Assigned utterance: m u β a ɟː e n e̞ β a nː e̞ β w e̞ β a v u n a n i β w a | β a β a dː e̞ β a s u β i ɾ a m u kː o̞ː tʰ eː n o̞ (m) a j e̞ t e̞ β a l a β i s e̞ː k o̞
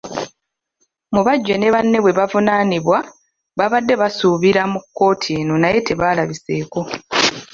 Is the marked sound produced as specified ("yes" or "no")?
no